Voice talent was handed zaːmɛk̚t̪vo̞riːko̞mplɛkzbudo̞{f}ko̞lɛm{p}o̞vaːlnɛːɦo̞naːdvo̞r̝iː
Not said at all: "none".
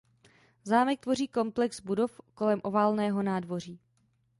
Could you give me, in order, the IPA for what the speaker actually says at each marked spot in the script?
f, ʔ

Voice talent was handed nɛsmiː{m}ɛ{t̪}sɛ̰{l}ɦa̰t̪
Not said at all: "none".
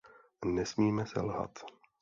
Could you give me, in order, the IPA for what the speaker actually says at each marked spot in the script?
m, none, l

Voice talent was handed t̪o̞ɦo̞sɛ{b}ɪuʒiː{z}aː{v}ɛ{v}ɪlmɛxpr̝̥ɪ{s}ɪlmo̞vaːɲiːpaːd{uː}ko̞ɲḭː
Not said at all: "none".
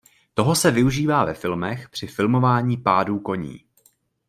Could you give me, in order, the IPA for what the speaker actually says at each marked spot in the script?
v, v, v, f, f, uː

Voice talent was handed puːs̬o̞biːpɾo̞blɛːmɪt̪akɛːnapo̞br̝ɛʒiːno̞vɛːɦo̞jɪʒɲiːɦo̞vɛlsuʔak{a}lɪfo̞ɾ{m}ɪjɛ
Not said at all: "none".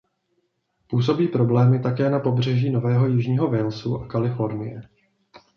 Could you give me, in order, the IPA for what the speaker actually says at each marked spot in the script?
a, n

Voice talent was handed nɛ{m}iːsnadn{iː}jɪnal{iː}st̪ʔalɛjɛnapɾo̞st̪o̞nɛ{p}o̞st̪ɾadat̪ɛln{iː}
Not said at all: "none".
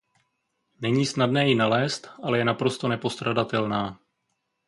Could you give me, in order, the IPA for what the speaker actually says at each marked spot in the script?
ɲ, ɛː, ɛː, p, aː

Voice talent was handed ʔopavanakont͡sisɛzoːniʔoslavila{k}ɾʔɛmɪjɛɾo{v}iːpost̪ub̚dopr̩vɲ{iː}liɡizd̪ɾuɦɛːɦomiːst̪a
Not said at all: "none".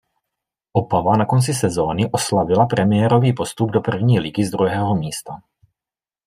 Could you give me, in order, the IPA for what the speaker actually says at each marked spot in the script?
p, v, iː

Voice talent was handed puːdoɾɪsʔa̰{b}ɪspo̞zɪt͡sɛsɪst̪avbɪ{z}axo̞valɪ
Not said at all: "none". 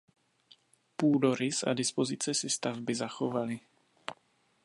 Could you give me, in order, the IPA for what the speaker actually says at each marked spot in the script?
d, z

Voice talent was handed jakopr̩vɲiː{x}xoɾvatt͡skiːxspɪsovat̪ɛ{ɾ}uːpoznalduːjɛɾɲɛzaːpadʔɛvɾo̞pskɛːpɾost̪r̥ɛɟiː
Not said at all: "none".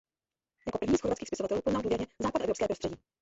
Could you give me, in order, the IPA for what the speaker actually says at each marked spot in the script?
s, l

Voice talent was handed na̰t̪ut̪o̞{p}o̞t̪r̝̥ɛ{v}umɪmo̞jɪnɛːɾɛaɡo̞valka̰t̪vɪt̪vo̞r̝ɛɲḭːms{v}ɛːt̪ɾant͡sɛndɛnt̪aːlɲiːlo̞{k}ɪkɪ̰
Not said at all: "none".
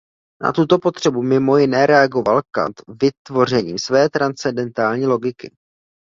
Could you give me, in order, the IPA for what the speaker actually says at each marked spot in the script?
p, b, v, ɡ

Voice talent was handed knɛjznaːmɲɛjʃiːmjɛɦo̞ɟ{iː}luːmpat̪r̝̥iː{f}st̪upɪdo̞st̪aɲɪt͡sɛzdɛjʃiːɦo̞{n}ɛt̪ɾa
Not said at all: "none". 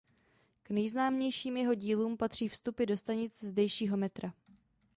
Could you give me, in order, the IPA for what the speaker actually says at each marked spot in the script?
iː, f, m

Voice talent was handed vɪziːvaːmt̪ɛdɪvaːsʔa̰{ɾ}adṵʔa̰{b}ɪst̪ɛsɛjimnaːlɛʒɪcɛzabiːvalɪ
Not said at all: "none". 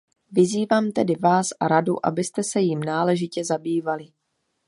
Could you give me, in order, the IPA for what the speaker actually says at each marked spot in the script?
ɾ, b

